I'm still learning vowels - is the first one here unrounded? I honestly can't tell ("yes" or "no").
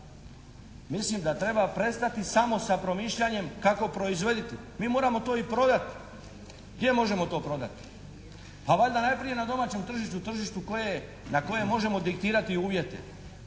yes